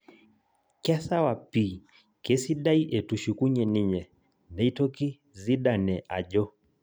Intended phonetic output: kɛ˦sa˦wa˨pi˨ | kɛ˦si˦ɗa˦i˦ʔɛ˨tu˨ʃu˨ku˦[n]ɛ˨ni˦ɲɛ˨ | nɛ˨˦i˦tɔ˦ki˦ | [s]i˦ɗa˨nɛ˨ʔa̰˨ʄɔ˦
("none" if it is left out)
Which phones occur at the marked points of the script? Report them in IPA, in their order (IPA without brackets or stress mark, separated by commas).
ɲ, z